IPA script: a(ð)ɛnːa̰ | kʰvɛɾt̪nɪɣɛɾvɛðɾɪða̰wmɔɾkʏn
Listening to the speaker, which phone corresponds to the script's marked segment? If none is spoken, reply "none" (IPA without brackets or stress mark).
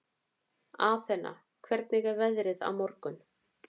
θ